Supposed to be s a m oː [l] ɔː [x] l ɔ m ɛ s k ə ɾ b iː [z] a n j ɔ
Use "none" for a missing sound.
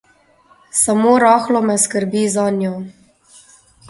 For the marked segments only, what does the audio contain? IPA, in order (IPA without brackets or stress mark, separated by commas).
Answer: ɾ, x, z